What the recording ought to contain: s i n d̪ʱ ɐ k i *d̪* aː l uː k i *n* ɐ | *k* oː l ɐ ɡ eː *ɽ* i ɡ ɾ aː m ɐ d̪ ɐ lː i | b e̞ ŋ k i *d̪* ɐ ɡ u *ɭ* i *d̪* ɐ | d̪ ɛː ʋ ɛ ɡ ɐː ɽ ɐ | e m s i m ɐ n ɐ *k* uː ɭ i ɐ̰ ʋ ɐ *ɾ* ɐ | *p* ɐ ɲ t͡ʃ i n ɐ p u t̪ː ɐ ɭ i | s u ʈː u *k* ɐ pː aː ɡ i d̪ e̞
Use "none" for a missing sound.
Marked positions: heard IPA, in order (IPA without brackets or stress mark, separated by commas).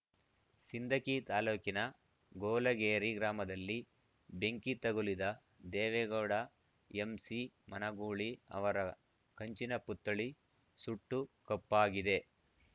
t̪, n, ɡ, ɾ, t̪, l, d̪, ɡ, ɾ, k, k